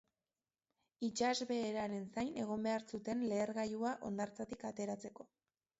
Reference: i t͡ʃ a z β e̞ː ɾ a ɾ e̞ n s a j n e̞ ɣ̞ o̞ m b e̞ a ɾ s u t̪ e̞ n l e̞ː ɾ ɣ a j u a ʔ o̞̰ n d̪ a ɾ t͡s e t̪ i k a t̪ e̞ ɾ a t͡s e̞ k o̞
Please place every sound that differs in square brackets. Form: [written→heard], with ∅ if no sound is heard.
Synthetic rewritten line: i t͡ʃ a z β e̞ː ɾ a ɾ e̞ n s a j n e̞ ɣ̞ o̞ m b e̞ a ɾ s u t̪ e̞ n l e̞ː ɾ ɣ a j u a ʔ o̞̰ n d̪ a ɾ t͡s [e→a] t̪ i k a t̪ e̞ ɾ a t͡s e̞ k o̞